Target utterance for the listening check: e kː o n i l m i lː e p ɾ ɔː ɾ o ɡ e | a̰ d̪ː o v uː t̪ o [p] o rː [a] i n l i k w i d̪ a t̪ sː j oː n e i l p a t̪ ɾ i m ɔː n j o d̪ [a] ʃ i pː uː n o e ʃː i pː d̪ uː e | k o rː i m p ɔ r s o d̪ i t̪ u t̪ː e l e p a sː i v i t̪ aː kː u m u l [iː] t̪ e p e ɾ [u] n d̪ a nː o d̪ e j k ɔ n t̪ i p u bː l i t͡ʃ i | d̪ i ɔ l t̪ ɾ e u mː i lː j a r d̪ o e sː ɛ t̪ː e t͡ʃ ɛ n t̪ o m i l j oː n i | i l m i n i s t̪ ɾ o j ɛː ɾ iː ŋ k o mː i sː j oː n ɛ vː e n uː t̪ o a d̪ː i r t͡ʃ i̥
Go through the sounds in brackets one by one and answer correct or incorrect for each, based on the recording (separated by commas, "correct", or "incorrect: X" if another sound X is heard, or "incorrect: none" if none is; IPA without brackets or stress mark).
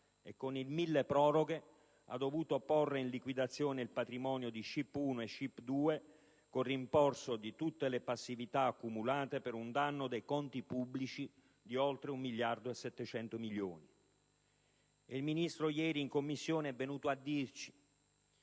correct, incorrect: e, incorrect: i, incorrect: aː, correct